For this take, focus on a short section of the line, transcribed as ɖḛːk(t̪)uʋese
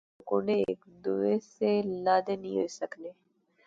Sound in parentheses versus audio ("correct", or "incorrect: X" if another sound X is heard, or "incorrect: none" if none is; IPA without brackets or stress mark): incorrect: d̪